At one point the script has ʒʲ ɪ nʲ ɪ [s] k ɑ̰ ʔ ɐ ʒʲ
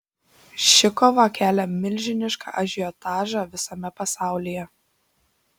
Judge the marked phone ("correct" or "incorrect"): incorrect